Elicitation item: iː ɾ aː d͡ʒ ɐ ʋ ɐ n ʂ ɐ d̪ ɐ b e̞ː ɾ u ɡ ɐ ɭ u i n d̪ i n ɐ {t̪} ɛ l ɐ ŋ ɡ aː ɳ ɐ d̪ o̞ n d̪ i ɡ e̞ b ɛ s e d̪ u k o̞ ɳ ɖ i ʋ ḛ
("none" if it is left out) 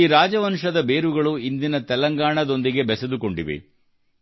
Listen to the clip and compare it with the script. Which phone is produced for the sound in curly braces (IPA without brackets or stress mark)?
t̪